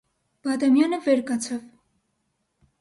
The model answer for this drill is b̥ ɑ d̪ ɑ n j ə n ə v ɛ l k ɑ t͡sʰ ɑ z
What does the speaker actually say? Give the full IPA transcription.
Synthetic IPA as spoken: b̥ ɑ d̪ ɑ m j ɑ n ə v ɛ ɾ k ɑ t͡sʰ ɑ v